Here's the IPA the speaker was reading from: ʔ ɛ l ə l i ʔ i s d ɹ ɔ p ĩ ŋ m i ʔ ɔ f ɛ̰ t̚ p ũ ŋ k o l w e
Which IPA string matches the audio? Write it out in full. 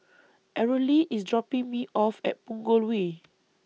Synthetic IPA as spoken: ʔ ɛ ɹ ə l i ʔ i s d ɹ ɔ p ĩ ŋ m i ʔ ɔ f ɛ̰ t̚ p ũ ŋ ɡ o l w e